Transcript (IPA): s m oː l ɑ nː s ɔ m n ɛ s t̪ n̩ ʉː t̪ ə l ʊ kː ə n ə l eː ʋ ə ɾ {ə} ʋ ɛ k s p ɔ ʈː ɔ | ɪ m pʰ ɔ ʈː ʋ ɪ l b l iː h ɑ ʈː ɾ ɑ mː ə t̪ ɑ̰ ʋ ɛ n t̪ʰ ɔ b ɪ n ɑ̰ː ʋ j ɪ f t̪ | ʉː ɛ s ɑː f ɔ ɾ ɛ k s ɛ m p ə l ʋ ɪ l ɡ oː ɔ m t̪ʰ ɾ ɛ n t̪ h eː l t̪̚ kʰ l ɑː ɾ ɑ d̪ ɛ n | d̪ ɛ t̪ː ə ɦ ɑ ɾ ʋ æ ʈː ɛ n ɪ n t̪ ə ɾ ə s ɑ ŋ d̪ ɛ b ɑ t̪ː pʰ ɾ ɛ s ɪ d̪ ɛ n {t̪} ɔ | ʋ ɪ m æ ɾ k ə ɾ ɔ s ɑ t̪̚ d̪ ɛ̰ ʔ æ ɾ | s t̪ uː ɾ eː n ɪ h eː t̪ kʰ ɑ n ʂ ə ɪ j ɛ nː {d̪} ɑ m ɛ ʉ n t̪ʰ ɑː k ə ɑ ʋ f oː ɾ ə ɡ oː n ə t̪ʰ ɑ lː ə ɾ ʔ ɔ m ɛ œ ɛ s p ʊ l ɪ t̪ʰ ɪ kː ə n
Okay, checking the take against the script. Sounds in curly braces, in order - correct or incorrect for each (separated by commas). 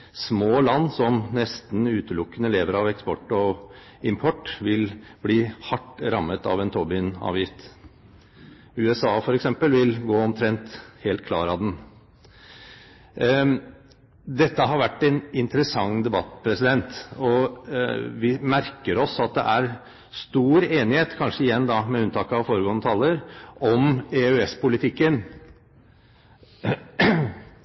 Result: incorrect, correct, correct